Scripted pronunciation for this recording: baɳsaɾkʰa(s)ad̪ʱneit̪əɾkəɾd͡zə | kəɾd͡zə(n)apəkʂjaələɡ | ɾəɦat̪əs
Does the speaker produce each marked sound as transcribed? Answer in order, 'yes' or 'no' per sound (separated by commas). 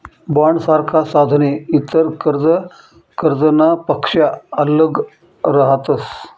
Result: yes, yes